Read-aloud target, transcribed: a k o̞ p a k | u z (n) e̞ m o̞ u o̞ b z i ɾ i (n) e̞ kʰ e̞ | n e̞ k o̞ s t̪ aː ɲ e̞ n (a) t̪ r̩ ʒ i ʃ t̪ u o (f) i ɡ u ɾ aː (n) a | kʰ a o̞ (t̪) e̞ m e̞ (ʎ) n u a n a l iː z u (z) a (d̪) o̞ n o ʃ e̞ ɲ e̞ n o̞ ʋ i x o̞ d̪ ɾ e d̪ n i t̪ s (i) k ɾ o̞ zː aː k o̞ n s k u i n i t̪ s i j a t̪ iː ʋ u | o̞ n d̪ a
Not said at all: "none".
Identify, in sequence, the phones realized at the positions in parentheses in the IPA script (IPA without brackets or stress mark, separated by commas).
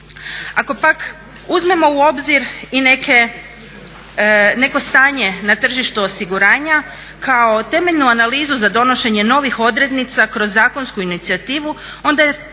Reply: m, n, a, s, ɲ, t̪, ʎ, z, d̪, a